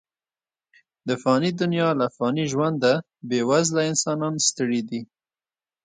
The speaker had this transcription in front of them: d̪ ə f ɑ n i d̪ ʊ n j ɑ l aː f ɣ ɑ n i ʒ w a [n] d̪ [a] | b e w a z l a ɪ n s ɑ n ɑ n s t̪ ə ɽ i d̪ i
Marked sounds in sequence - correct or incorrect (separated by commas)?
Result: correct, correct